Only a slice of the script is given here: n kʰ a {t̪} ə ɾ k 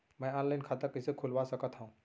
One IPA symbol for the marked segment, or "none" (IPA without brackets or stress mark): t̪